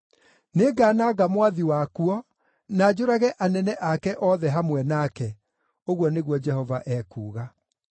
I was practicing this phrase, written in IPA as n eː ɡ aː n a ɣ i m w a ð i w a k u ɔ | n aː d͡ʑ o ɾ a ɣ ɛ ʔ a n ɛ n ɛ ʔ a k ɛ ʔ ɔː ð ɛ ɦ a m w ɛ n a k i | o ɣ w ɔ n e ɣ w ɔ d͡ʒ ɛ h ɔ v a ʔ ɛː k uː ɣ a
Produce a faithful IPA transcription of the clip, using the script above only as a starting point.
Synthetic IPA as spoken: n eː ɡ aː n a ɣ a m w a ð i w a k u ɔ | n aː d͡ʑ o ɾ a ɣ ɛ ʔ a n ɛ n ɛ ʔ a k ɛ ʔ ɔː ð ɛ ɦ a m w ɛ n a k ɛ | o ɣ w ɔ n e ɣ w ɔ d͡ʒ ɛ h ɔ v a ʔ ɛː k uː ɣ a